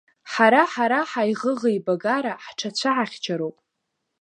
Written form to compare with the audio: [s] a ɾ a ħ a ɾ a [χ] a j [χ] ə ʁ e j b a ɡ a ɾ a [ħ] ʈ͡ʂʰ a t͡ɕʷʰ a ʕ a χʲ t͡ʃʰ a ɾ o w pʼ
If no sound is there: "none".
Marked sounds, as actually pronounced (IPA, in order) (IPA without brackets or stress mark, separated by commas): ħ, ħ, ʁ, ħ